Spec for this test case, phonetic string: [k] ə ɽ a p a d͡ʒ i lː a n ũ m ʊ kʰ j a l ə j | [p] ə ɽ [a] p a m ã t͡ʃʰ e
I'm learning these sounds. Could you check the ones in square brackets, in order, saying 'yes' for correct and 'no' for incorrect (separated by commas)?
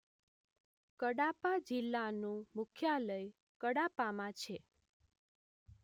yes, no, yes